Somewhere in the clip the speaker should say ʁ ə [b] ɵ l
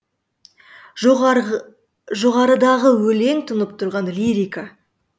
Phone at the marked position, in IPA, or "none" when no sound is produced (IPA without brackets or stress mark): w